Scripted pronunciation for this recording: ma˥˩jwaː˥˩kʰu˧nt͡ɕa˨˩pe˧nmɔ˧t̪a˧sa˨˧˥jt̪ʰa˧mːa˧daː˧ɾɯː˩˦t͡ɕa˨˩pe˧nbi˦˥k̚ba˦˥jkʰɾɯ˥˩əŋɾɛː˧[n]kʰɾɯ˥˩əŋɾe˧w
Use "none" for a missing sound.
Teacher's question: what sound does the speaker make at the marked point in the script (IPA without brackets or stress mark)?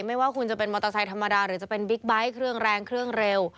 ŋ